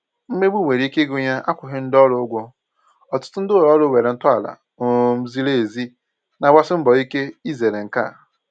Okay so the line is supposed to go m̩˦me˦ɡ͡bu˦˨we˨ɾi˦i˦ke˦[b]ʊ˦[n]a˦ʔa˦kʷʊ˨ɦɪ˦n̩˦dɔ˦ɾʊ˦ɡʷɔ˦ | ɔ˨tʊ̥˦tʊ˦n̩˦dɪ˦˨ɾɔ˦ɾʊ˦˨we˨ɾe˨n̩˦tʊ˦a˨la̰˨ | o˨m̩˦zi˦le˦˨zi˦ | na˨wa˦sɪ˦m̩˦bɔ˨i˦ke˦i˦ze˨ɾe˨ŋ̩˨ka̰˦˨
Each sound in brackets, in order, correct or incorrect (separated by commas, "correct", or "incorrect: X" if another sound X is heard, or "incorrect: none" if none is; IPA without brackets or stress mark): incorrect: ɡ, incorrect: ɲ